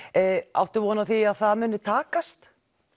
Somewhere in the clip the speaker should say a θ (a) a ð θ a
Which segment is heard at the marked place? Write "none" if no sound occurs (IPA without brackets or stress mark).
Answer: i